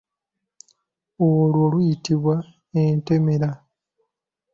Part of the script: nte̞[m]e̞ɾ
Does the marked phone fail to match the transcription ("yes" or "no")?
no